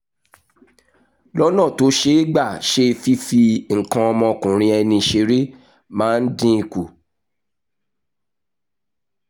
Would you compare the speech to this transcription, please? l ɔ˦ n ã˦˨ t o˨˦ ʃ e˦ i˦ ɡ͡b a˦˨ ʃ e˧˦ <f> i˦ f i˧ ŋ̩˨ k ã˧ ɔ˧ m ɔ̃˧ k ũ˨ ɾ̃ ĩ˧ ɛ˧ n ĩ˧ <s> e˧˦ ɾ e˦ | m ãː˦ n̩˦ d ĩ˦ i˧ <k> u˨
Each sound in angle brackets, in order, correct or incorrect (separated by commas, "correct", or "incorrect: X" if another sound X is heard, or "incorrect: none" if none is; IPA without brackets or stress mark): correct, incorrect: ʃ, correct